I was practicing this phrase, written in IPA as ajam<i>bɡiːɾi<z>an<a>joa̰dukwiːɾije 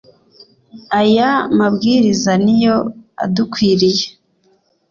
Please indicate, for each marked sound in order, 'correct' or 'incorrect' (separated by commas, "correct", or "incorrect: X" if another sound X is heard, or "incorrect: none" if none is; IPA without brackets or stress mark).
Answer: incorrect: a, correct, incorrect: i